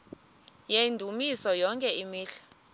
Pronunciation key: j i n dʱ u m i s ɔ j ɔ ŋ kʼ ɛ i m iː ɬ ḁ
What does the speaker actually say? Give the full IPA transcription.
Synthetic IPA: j e n dʱ u m i s ɔ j ɔ ŋ kʼ ɛ i m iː ɬ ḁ

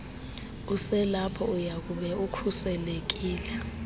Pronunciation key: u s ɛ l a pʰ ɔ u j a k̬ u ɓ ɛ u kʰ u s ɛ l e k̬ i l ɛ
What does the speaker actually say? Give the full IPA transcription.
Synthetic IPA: u s ɛ l a pʰ ɔ u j a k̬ u ɓ ɛ u kʰ u s ɛ l e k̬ iː l ɛ

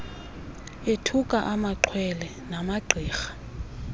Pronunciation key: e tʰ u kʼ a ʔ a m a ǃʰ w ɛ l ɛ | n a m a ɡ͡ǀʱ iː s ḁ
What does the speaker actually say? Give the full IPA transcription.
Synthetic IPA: e tʰ u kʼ a ʔ a m a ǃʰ w ɛ l ɛ | n a m a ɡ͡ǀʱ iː x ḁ

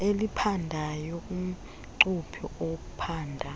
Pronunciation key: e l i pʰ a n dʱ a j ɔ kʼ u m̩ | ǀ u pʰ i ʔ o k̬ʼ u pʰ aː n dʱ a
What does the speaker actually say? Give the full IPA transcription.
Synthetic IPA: e l i pʰ a n dʱ a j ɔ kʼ u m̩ | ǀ u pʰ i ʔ o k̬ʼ u pʰ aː n dʱ a

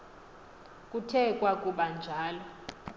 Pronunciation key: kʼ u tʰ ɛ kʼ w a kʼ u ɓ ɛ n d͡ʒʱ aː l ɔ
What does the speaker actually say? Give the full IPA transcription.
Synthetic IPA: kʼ u tʰ ɛ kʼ w a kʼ u ɓ a n d͡ʒʱ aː l ɔ

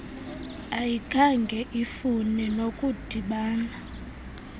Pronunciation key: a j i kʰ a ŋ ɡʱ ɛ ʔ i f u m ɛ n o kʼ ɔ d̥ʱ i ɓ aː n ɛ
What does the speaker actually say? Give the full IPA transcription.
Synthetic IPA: a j i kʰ a ŋ ɡʱ ɛ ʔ i f u n ɛ n o kʼ u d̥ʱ i ɓ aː n a

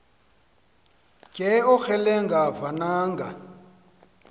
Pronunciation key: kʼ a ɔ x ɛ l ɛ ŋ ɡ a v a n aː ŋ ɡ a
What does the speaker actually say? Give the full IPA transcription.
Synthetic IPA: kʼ ɛ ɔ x ɛ l ɛ ŋ ɡ a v a n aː ŋ ɡ a

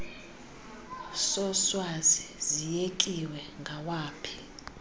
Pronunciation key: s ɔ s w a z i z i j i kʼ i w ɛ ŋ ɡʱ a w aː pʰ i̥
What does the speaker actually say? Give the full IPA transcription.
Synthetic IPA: s ɔ s w a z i z i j e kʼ i w ɛ ŋ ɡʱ a w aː pʰ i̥

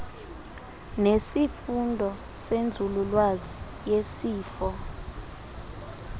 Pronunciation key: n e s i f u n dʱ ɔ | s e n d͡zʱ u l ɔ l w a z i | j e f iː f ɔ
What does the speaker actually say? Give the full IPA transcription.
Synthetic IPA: n e s i f u n dʱ ɔ | s e n d͡zʱ u l u l w a z i | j e s iː f ɔ

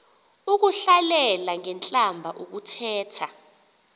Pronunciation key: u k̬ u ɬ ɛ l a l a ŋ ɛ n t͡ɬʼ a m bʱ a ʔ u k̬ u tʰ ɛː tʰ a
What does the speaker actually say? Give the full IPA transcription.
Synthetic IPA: u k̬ u ɬ a l ɛ l a ŋ ɛ n t͡ɬʼ a m bʱ a ʔ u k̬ u tʰ ɛː tʰ a

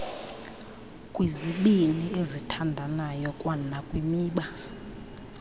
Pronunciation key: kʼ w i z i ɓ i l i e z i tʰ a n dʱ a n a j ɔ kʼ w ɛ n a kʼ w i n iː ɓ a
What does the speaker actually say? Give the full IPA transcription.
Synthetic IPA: kʼ w i z i ɓ i l i e z i tʰ a n dʱ a n a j ɔ kʼ w a n a kʼ w i m iː ɓ a

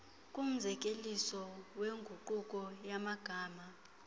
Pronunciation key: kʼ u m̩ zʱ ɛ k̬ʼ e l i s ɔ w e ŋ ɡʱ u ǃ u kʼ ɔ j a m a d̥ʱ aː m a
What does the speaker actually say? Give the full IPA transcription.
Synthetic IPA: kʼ u m̩ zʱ ɛ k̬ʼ e l i s ɔ w e ŋ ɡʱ u ǃ u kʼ ɔ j a m a ɡ̥ʱ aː m a

